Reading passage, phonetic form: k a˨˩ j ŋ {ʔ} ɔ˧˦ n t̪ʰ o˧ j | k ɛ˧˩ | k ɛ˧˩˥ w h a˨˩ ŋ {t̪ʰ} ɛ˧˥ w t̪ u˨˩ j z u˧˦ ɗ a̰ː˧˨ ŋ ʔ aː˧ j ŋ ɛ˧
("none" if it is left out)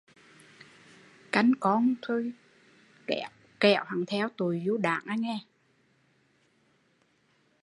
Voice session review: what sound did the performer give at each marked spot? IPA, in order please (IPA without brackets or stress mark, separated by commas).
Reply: k, t̪ʰ